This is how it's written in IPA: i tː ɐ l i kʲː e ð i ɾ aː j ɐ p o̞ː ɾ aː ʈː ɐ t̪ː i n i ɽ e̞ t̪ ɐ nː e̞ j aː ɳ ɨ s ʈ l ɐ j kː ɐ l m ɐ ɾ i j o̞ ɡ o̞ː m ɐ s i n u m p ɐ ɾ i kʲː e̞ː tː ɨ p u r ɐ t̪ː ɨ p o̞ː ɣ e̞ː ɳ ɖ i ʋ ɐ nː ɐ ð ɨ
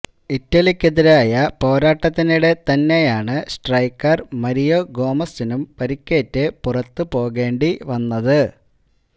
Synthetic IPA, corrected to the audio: i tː ɐ l i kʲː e ð i ɾ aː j ɐ p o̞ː ɾ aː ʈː ɐ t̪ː i n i ɽ e̞ t̪ ɐ nː e̞ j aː ɳ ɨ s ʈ r ɐ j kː ɐ r m ɐ ɾ i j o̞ ɡ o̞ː m ɐ s i n u m p ɐ ɾ i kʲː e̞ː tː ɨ p u r ɐ t̪ː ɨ p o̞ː ɣ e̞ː ɳ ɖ i ʋ ɐ nː ɐ ð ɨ

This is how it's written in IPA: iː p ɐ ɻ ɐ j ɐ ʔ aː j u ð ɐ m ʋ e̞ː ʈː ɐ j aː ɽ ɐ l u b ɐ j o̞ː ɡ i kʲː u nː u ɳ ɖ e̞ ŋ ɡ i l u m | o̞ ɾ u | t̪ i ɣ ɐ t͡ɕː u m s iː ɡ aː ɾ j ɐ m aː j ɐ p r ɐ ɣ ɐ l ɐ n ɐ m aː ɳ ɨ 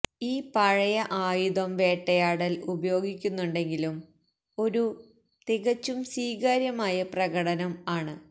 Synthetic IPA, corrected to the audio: iː p ɐ ɻ ɐ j ɐ ʔ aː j u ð ɐ m ʋ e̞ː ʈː ɐ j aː ɽ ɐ l u b ɐ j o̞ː ɡ i kʲː u nː u ɳ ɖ e̞ ŋ ɡ i l u m | o̞ ɾ u | t̪ i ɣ ɐ t͡ɕː u m s iː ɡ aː ɾ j ɐ m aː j ɐ p r ɐ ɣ ɐ ɽ ɐ n ɐ m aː ɳ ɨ

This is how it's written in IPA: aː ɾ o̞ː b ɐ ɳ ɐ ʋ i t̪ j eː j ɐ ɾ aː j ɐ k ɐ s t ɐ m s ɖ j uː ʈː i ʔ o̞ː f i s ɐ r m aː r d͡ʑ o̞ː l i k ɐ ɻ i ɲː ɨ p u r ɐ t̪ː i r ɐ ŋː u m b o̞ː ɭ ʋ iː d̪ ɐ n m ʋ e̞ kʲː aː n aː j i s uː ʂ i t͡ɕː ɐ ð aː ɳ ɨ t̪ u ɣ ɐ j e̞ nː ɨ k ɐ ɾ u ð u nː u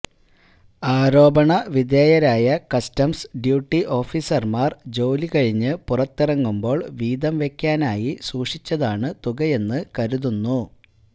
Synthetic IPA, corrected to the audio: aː ɾ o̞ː b ɐ ɳ ɐ ʋ i d̪ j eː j ɐ ɾ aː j ɐ k ɐ s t ɐ m s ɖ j uː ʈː i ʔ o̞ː f i s ɐ r m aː r d͡ʑ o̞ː l i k ɐ ɻ i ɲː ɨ p u r ɐ t̪ː i r ɐ ŋː u m b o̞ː ɭ ʋ iː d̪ ɐ m ʋ e̞ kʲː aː n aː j i s uː ʂ i t͡ɕː ɐ ð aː ɳ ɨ t̪ u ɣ ɐ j e̞ nː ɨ k ɐ ɾ u ð u nː u

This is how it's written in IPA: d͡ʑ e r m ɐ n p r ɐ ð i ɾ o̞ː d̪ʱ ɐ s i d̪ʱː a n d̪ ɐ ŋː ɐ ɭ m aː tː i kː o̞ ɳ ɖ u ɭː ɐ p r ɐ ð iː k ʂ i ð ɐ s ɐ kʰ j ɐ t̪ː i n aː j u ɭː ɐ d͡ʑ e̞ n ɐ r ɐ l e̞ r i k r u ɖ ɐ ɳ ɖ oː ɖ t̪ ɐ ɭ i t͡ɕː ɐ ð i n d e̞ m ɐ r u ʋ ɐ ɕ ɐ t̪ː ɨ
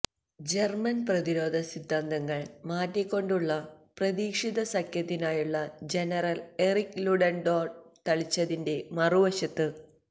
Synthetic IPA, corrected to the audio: d͡ʑ e r m ɐ n p r ɐ ð i ɾ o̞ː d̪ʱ ɐ s i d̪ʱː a n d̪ ɐ ŋː ɐ ɭ m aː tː i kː o̞ ɳ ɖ u ɭː ɐ p r ɐ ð iː k ʂ i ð ɐ s ɐ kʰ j ɐ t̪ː i n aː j u ɭː ɐ d͡ʑ e̞ n ɐ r ɐ l e̞ r i k l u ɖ ɐ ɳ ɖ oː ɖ t̪ ɐ ɭ i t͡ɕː ɐ ð i n d e̞ m ɐ r u ʋ ɐ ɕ ɐ t̪ː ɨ

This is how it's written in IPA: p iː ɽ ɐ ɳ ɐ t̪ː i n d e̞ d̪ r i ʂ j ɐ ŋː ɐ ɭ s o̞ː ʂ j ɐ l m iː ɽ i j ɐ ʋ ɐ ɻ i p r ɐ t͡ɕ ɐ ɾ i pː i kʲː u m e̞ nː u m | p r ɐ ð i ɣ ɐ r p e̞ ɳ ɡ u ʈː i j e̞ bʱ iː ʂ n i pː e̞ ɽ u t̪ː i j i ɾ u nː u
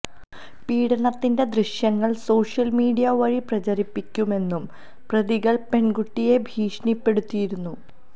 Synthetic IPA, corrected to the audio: p iː ɽ ɐ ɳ ɐ t̪ː i n d e̞ d̪ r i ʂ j ɐ ŋː ɐ ɭ s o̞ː ʂ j ɐ l m iː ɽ i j ɐ ʋ ɐ ɻ i p r ɐ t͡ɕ ɐ ɾ i pː i kʲː u m e̞ nː u m | p r ɐ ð i ɣ ɐ ɭ p e̞ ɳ ɡ u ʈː i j e̞ bʱ iː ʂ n i pː e̞ ɽ u t̪ː i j i ɾ u nː u

